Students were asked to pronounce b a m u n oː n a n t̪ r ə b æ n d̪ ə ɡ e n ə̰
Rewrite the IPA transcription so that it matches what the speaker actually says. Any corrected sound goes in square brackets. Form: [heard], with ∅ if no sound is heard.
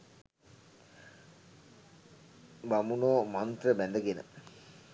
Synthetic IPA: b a m u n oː [m] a n t̪ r ə b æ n d̪ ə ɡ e n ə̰